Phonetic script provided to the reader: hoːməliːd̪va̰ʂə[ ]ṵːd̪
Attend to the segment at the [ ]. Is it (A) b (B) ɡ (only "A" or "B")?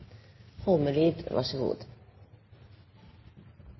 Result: B